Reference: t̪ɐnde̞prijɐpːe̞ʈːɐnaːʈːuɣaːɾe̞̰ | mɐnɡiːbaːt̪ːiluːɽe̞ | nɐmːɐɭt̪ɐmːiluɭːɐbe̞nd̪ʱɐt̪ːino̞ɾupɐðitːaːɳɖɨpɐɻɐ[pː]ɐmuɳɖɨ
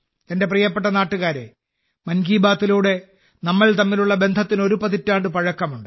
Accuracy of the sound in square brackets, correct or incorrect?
incorrect